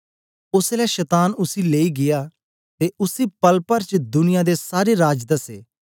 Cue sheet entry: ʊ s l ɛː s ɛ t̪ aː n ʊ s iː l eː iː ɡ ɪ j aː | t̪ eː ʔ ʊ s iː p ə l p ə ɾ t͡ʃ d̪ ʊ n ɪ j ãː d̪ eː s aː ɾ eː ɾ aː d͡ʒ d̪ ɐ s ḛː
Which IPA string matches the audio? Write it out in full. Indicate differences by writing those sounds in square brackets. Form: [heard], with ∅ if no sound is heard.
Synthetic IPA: ʊ s l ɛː [ʃ] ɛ t̪ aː n ʊ s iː l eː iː ɡ ɪ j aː | t̪ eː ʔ ʊ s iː p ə l p ə ɾ t͡ʃ d̪ ʊ n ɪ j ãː d̪ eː s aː ɾ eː ɾ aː d͡ʒ d̪ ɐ s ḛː